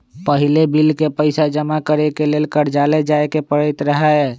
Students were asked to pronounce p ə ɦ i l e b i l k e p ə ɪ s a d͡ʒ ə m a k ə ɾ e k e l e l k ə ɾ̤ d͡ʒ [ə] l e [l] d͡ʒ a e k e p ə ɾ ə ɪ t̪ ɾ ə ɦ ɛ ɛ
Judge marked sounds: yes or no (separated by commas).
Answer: no, no